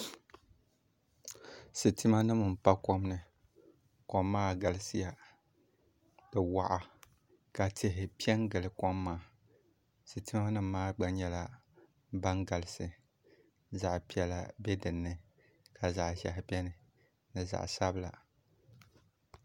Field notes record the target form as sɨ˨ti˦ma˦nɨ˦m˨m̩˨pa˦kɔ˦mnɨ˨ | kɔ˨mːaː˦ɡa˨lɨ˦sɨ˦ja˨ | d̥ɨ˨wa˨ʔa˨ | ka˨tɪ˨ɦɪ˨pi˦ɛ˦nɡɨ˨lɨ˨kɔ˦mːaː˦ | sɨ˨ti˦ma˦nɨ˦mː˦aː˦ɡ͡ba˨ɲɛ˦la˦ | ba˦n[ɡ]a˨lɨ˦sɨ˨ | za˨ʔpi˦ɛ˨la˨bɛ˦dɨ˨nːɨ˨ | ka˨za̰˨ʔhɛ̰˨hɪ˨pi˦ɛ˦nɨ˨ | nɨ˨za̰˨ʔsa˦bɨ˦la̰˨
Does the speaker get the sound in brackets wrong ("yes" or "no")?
no